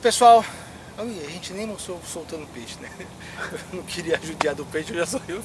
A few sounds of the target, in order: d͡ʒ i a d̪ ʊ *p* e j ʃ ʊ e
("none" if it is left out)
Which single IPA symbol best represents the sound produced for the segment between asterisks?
p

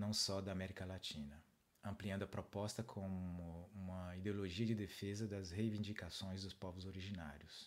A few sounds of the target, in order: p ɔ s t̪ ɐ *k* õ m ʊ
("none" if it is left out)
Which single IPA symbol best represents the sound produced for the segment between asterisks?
kʰ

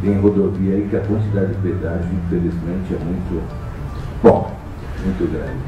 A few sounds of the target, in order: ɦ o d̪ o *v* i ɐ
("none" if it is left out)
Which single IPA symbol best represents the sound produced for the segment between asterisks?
v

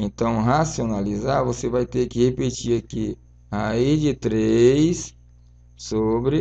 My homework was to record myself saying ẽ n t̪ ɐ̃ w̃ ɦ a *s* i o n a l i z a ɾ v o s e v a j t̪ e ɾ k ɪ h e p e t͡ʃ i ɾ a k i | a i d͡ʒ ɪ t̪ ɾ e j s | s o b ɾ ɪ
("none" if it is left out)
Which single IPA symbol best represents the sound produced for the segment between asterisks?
s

